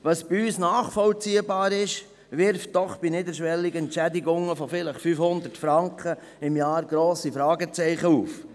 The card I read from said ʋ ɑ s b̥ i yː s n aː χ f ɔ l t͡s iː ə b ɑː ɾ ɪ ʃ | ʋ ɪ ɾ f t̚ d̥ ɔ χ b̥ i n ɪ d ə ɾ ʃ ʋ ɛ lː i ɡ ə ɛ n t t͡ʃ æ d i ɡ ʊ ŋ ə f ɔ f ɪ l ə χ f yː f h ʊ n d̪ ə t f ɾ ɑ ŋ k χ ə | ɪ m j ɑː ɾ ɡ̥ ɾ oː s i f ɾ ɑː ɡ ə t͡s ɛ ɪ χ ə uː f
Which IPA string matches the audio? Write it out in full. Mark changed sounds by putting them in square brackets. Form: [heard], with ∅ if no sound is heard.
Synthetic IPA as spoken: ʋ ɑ s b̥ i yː s n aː χ f ɔ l t͡s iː ə b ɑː ɾ ɪ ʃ | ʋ ɪ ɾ f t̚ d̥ ɔ χ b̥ i n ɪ d ə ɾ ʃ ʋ ɛ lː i ɡ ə ɛ n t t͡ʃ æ d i ɡ ʊ ŋ ə f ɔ f ɪ l ə χ f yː f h ʊ n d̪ ə t f ɾ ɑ ŋ k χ ə | ɪ m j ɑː ɾ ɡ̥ ɾ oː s i f ɾ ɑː ɡ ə t͡s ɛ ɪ χ ə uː f